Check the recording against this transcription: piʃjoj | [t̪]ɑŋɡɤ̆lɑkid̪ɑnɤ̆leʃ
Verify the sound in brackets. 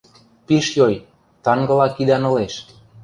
correct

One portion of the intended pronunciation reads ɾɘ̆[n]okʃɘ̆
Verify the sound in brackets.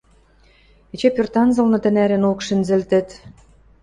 correct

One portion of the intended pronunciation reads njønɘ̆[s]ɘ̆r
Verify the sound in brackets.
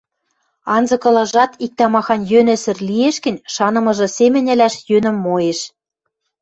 correct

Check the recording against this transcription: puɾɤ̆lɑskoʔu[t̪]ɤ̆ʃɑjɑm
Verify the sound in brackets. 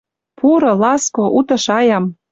correct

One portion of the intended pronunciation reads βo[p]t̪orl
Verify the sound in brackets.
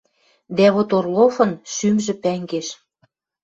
incorrect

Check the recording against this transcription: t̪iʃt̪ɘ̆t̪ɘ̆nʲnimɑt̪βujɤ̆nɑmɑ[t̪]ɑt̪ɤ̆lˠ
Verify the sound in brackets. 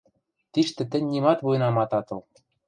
correct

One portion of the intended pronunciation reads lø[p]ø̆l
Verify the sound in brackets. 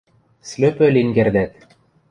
correct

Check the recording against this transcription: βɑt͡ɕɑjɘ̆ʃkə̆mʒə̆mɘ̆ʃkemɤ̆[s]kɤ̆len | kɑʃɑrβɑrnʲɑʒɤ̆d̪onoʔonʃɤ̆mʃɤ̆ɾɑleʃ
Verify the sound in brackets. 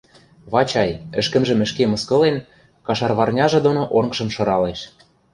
correct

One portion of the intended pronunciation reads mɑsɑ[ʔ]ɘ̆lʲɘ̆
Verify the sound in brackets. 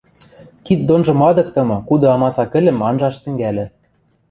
incorrect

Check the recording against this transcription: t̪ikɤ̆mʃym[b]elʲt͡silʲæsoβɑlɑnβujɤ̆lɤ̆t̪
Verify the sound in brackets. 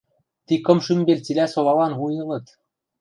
correct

